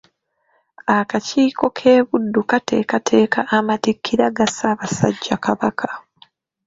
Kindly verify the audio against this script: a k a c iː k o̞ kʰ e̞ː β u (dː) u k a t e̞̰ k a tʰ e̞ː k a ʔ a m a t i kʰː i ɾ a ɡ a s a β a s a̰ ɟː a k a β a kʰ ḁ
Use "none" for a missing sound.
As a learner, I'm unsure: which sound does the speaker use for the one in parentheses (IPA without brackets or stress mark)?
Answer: dː